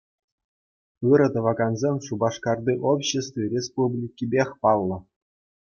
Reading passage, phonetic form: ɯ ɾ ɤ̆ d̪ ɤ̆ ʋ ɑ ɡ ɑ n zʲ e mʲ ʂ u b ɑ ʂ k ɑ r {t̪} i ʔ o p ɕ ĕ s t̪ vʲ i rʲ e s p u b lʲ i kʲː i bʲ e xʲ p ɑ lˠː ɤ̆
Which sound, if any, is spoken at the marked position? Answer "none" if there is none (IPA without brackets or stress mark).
d̪